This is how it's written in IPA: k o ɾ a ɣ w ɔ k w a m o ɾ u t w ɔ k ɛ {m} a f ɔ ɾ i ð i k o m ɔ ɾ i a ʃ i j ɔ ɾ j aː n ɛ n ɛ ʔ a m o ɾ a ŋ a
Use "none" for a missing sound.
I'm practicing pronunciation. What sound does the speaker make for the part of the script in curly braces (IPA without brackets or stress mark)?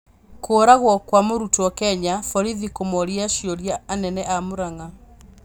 ɲ